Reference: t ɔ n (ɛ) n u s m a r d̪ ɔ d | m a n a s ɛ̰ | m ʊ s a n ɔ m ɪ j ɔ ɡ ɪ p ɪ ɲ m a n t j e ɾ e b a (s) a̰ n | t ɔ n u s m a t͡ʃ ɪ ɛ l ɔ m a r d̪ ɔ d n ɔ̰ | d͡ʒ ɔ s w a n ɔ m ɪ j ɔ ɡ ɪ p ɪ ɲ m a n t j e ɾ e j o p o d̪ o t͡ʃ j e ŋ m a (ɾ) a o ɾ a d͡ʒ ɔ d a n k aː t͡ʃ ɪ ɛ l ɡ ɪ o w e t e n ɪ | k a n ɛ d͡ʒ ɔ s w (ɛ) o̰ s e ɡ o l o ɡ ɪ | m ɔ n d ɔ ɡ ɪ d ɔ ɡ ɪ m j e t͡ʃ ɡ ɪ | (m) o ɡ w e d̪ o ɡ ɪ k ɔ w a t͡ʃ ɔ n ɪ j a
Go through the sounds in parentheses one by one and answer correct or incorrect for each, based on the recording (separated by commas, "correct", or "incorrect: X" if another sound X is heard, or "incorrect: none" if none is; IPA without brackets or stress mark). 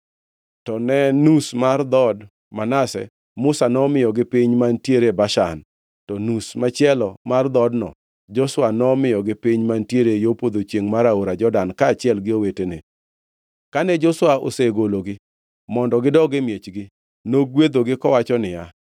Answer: correct, incorrect: ʃ, correct, incorrect: a, incorrect: n